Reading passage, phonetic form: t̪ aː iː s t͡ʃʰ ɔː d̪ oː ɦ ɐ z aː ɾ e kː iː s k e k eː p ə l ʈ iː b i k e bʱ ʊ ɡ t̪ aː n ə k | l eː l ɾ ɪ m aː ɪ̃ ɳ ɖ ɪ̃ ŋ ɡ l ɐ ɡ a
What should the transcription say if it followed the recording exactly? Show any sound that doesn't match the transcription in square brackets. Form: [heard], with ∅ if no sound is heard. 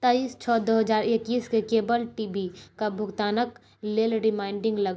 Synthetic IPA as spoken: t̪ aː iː s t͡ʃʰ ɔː d̪ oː ɦ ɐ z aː ɾ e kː iː s k e k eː [b] ə l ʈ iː b i k [a] bʱ ʊ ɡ t̪ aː n ə k | l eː l ɾ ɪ m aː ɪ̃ ɳ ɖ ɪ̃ ŋ ɡ l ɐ ɡ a